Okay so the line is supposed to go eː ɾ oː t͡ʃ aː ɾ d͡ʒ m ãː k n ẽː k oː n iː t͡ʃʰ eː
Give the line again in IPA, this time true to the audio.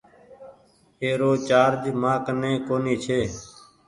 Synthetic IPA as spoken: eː ɾ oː t͡ʃ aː ɾ d͡ʒ m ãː k n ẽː k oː n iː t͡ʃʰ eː